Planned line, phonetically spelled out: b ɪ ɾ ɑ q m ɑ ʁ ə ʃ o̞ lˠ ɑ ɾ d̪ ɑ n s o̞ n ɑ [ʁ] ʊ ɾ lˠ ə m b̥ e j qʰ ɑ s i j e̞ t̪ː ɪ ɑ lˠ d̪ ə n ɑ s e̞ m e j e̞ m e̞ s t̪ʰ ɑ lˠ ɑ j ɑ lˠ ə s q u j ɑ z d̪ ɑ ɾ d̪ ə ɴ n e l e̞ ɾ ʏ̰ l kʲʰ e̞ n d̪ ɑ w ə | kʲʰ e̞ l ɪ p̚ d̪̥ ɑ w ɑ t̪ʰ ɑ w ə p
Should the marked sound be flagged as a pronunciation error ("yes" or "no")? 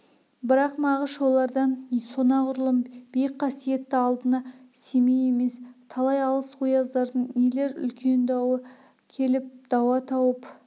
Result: no